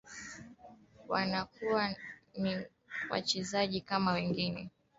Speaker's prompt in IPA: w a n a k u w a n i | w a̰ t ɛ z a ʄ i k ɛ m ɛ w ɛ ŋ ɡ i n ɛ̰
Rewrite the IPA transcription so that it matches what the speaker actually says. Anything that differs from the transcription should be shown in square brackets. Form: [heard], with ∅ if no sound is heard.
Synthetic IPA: w a n a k u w a n i | w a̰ [t͡ʃ] ɛ z a ʄ i k [a] m [a] w ɛ ŋ ɡ i n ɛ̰